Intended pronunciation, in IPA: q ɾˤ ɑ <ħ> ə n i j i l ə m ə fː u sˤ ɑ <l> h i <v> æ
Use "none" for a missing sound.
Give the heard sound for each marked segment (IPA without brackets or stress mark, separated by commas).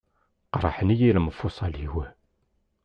ħ, l, w